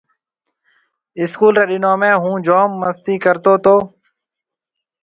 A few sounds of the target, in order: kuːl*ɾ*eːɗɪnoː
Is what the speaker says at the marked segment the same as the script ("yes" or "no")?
yes